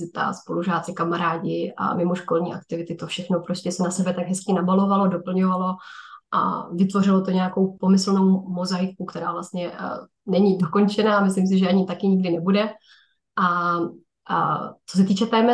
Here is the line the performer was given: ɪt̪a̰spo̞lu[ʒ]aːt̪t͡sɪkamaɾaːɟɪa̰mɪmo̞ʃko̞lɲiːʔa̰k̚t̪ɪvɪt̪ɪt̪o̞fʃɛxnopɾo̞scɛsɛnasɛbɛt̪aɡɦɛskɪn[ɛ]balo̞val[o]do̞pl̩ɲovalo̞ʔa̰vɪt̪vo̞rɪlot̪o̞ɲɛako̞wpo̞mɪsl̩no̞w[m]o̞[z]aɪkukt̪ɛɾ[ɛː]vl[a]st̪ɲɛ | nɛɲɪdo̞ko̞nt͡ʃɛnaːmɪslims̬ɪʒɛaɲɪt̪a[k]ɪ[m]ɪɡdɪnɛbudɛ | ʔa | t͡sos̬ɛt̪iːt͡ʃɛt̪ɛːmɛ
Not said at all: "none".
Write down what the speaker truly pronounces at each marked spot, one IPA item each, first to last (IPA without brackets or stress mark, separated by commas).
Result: ʒ, a, o, m, z, aː, a, k, ɲ